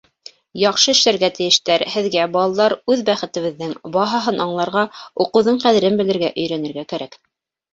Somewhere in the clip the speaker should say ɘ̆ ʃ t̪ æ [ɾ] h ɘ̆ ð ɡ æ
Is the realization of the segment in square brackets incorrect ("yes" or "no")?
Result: no